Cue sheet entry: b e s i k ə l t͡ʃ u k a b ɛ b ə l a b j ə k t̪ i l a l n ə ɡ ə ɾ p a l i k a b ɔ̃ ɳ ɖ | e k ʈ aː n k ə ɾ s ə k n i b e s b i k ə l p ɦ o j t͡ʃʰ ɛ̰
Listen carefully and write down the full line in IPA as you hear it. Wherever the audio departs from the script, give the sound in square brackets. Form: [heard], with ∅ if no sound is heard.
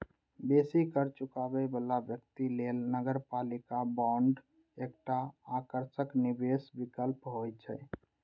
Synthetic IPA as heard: b e s i k ə [ɾ] t͡ʃ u k a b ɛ b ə l a b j ə k t̪ i l [e] l n ə ɡ ə ɾ p a l i k a b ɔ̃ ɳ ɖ | e k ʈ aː [∅] k ə ɾ s ə k n i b e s b i k ə l p ɦ o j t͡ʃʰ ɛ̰